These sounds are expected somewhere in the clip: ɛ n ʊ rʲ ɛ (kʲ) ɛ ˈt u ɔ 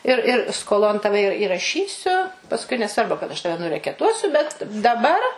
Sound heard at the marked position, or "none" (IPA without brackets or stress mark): kʲ